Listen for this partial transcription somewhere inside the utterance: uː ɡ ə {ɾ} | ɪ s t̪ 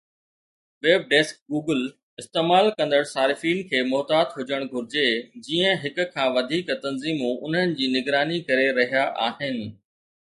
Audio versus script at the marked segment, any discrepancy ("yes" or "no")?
yes